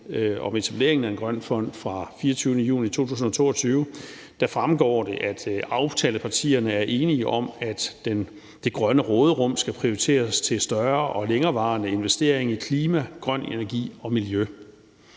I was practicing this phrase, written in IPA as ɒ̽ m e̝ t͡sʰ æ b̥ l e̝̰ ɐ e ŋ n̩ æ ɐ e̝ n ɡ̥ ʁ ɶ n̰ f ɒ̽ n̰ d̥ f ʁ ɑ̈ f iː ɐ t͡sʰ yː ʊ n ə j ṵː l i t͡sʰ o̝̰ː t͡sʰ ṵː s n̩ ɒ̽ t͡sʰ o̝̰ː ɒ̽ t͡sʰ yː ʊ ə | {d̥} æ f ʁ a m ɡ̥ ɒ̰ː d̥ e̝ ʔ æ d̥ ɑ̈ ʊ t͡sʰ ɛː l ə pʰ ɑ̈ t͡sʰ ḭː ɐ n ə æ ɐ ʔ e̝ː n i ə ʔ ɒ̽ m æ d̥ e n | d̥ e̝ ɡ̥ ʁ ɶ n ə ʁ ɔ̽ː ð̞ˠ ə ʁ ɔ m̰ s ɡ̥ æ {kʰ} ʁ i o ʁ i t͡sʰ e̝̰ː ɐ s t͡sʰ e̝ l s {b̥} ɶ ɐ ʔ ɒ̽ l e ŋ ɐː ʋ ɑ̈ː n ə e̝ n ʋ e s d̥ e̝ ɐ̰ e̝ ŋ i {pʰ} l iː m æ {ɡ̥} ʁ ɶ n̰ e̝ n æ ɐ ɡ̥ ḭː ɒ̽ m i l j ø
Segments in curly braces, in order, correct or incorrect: correct, incorrect: pʰ, incorrect: d̥, incorrect: kʰ, correct

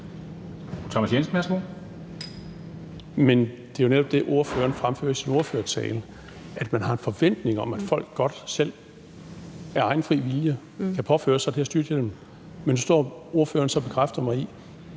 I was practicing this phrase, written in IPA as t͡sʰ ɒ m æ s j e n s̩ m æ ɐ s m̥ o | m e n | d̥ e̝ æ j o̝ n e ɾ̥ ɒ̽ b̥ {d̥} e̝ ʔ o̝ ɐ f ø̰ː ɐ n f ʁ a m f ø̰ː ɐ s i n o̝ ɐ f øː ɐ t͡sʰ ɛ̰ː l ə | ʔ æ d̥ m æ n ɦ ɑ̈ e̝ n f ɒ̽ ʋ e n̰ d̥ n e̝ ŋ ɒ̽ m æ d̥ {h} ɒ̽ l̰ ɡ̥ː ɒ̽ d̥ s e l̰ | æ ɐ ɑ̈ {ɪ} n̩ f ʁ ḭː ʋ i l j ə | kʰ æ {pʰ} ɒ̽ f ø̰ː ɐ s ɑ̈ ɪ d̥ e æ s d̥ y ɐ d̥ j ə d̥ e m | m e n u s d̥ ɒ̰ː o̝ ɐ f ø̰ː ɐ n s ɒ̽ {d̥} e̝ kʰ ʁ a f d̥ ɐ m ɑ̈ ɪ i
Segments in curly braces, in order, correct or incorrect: correct, incorrect: f, correct, correct, incorrect: b̥

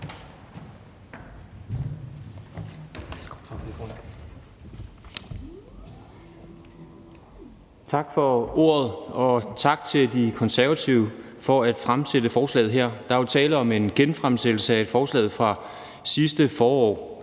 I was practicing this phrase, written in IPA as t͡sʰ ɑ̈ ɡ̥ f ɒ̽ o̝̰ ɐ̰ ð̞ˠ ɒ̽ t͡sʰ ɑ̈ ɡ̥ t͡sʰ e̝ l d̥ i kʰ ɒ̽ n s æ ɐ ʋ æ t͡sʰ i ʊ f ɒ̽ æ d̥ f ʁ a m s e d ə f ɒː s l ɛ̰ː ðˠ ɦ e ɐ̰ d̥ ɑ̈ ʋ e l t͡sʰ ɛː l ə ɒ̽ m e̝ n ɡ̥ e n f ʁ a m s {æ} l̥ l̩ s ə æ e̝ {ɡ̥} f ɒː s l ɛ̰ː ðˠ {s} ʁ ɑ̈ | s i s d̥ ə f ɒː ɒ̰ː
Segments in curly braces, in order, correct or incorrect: incorrect: e, incorrect: d̥, incorrect: f

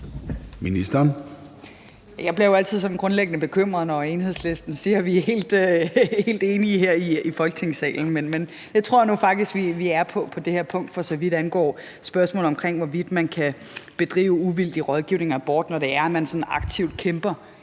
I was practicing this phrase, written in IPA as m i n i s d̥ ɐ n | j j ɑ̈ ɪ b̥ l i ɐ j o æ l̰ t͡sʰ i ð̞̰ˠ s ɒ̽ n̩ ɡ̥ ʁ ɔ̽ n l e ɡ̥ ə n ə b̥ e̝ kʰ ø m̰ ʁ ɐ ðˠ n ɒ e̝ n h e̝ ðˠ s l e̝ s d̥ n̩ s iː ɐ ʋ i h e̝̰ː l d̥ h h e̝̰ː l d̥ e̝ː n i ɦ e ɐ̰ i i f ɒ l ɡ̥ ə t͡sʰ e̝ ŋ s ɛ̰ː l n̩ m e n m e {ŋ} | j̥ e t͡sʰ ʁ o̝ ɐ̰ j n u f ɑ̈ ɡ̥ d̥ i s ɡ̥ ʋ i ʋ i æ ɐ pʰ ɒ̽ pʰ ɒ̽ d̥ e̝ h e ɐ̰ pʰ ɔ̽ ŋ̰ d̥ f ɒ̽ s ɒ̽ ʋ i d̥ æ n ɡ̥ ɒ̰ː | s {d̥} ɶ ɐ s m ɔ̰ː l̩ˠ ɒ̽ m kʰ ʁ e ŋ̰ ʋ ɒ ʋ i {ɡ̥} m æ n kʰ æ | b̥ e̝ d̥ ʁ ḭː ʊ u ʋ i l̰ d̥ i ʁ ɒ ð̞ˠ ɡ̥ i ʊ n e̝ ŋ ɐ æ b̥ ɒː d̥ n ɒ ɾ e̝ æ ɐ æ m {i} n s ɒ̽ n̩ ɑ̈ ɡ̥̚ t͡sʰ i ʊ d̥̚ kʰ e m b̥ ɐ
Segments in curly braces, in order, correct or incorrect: incorrect: n, incorrect: b̥, incorrect: d̥, incorrect: æ

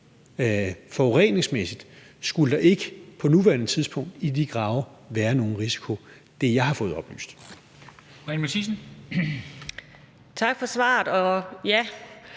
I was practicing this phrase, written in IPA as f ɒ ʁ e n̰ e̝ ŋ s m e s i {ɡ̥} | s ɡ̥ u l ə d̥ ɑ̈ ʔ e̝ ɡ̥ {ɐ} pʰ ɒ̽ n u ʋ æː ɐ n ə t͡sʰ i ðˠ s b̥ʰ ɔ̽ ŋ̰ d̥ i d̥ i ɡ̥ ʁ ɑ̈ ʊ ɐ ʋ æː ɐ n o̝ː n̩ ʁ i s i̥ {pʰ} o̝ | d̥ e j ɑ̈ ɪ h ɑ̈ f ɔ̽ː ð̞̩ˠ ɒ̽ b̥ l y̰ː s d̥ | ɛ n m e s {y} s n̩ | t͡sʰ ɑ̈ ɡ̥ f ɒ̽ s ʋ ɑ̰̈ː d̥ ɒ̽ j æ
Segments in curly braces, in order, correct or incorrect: incorrect: d̥, incorrect: ə, incorrect: kʰ, incorrect: i

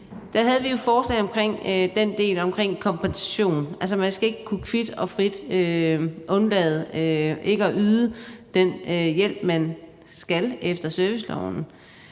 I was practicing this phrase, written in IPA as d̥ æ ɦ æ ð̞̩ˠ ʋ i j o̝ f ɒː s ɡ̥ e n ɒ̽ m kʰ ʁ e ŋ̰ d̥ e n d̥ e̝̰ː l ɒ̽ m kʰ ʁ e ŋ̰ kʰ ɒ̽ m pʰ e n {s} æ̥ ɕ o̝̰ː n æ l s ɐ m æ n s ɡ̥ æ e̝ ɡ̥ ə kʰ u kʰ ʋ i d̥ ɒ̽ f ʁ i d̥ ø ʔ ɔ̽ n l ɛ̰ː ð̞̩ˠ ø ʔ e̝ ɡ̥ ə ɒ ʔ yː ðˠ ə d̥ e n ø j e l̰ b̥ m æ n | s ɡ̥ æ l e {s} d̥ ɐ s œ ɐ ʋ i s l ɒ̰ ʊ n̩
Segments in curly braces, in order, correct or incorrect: correct, incorrect: f

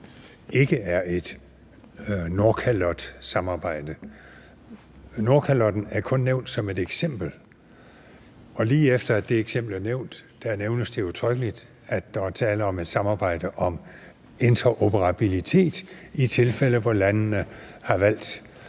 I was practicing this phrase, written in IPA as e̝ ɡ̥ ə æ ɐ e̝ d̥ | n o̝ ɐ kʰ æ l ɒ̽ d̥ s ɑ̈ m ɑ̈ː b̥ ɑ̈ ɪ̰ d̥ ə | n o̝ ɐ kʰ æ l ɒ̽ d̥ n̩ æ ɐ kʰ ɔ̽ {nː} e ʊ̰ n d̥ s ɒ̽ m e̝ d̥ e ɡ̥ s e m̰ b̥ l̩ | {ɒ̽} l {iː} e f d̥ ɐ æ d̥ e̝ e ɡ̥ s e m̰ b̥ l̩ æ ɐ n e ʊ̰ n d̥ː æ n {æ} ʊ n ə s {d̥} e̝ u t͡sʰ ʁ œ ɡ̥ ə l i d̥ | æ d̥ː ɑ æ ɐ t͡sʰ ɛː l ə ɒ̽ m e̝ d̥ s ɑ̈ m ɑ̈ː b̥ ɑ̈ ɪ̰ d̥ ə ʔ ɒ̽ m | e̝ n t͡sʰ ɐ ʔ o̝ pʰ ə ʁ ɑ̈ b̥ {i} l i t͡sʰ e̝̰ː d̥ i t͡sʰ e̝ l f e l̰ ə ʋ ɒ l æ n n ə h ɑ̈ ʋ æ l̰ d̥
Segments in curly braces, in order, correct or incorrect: correct, correct, correct, incorrect: e, correct, correct

